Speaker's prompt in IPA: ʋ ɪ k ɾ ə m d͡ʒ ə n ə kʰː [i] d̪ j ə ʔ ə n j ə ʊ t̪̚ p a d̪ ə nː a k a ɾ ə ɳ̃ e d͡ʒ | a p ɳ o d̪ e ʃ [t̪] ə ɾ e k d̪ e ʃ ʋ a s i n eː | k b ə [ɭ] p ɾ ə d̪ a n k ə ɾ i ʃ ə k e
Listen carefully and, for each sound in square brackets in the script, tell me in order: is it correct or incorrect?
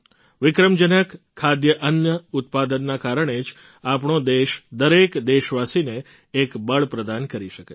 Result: incorrect: a, incorrect: d̪, correct

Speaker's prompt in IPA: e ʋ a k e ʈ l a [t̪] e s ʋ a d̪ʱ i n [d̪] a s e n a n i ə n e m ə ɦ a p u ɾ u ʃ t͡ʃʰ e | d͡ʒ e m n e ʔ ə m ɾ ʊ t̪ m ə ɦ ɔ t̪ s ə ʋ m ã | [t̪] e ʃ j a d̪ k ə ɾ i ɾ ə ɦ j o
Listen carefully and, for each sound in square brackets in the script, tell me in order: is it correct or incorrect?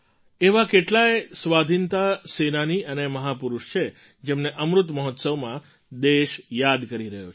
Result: incorrect: none, incorrect: t̪, incorrect: d̪

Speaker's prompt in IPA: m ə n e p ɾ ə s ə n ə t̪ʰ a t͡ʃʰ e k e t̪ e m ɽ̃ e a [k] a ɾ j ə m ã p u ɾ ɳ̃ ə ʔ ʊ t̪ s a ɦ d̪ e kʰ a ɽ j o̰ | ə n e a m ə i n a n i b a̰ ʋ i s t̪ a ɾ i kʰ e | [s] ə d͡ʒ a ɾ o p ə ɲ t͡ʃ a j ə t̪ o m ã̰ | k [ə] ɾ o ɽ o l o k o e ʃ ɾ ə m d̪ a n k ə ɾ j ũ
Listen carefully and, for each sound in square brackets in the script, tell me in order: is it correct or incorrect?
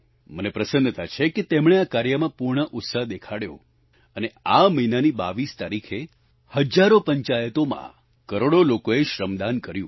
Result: correct, incorrect: h, correct

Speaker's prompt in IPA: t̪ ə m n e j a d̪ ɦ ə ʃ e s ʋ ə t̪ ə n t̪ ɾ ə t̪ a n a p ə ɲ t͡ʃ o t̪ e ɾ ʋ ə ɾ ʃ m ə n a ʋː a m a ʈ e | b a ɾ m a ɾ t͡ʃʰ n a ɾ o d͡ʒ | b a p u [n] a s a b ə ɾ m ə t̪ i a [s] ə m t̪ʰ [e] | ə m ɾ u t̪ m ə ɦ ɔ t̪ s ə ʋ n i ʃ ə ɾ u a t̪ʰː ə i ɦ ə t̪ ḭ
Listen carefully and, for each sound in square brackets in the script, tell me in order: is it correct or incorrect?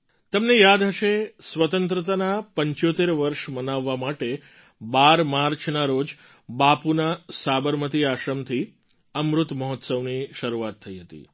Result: correct, incorrect: ʃ, incorrect: i

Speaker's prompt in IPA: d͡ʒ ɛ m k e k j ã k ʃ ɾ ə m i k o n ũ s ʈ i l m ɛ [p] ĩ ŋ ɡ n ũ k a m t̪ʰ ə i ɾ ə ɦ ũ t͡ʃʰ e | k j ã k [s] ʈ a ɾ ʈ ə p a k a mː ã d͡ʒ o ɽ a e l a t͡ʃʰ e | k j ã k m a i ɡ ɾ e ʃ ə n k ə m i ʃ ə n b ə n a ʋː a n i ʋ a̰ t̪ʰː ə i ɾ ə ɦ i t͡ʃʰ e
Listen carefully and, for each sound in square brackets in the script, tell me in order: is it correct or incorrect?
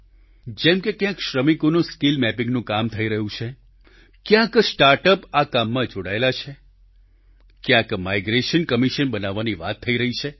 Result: correct, correct

